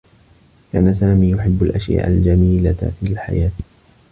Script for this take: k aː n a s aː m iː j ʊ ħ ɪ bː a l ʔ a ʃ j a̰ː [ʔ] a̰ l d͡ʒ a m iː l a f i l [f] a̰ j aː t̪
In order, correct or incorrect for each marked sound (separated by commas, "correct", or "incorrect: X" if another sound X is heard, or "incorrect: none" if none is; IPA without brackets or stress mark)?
correct, incorrect: ħ